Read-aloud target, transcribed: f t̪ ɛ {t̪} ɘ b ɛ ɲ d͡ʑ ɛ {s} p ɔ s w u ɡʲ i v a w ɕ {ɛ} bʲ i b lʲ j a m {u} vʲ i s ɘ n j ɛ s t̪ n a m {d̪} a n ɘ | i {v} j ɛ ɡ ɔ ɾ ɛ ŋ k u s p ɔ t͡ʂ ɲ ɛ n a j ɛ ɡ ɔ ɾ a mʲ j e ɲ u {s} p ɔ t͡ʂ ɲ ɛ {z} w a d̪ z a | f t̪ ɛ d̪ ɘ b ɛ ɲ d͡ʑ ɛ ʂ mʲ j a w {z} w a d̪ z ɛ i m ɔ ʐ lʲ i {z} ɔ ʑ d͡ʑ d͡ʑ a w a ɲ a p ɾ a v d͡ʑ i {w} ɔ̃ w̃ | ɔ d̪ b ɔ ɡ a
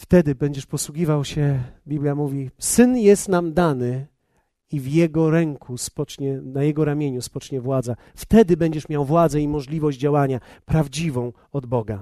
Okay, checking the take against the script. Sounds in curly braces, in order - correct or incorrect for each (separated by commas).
incorrect, incorrect, correct, correct, correct, correct, correct, incorrect, incorrect, incorrect, incorrect